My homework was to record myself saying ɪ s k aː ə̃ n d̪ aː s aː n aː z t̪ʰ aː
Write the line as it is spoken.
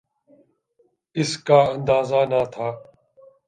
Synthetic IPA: ɪ s k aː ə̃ n d̪ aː z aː n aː t̪ʰ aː